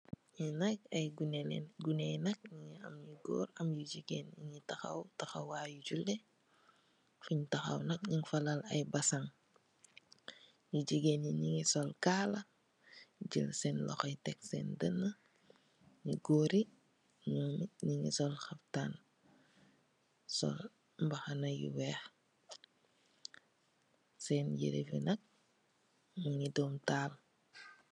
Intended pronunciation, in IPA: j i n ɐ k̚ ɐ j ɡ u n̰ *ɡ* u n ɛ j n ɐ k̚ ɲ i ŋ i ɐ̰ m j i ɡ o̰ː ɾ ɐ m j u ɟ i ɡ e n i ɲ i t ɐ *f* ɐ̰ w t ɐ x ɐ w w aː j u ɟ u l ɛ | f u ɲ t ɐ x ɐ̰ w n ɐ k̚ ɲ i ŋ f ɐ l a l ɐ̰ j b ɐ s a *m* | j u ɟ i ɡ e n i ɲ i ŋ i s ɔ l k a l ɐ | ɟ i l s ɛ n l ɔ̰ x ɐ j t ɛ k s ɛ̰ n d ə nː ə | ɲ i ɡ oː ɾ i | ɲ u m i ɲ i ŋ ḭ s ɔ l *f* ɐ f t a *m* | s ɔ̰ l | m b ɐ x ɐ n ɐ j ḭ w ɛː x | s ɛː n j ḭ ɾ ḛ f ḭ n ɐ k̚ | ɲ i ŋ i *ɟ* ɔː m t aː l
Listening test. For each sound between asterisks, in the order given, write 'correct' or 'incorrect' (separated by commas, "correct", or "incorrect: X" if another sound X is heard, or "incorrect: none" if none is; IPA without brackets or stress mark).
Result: correct, incorrect: x, incorrect: ŋ, incorrect: x, incorrect: n, incorrect: d